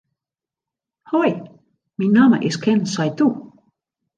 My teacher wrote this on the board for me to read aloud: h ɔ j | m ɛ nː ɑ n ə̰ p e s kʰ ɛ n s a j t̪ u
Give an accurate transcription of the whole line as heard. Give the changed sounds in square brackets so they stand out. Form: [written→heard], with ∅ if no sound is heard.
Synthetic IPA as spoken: h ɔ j | m [ɛ→i] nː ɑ [n→m] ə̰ [p→ʔ] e s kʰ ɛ n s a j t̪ u